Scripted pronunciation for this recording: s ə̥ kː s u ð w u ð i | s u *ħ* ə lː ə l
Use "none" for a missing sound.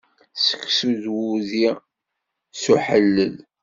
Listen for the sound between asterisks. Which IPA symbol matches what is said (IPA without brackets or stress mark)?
ħ